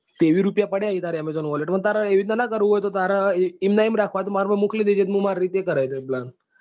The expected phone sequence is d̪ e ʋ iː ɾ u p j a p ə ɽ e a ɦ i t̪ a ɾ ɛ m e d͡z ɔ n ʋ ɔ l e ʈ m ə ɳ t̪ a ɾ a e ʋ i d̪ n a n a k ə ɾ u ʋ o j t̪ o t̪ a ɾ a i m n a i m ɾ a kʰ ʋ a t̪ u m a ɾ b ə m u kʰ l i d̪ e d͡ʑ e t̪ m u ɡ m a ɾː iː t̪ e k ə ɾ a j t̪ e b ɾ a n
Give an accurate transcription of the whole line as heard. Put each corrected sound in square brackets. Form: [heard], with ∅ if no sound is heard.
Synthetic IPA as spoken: [t̪] e ʋ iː ɾ u p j a p ə ɽ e a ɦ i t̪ a ɾ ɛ m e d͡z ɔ n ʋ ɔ l e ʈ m ə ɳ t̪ a ɾ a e ʋ i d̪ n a n a k ə ɾ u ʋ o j t̪ o t̪ a ɾ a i m n a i m ɾ a kʰ ʋ a t̪ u m a ɾ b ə m u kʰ l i d̪ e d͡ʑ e t̪ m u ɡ m a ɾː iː t̪ e k ə ɾ a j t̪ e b [l] a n